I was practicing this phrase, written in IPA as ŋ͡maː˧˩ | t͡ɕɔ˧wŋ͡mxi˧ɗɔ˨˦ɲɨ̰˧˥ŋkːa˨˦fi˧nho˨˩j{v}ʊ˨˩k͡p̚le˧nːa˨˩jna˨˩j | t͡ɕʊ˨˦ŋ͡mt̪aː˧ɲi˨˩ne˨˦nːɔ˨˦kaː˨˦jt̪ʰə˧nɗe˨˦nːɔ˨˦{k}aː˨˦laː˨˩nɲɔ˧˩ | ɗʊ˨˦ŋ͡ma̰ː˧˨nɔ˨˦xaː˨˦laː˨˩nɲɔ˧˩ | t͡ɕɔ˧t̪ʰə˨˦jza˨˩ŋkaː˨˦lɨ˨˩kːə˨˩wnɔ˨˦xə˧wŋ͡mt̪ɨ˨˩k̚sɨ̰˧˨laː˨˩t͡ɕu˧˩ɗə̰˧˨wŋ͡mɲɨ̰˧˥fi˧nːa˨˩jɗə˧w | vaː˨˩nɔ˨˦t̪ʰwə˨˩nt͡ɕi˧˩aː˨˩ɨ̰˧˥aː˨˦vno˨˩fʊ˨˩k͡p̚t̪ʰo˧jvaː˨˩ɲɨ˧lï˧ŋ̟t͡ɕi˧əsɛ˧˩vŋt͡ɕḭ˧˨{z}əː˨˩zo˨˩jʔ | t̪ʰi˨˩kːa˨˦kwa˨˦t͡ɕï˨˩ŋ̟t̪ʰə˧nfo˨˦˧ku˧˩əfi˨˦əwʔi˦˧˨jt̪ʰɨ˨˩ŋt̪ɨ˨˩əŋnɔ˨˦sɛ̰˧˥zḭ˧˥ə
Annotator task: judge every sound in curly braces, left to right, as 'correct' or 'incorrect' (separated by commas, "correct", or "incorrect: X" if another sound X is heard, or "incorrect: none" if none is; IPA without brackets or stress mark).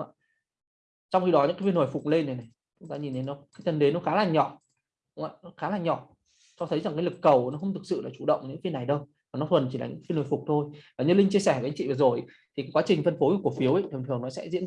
incorrect: f, incorrect: x, incorrect: v